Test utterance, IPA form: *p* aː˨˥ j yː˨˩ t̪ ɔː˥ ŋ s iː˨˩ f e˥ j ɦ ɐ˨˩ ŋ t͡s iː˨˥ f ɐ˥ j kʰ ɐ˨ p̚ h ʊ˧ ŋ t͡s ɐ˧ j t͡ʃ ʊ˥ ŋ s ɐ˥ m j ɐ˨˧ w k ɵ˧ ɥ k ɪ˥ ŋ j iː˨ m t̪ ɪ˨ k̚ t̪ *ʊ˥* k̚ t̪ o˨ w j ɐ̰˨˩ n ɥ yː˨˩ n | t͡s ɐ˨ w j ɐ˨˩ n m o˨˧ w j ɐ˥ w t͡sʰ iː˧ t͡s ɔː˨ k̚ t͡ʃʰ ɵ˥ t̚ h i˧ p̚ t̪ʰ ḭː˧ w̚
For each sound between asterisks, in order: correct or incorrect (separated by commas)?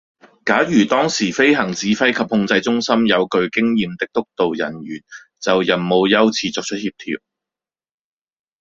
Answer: incorrect, correct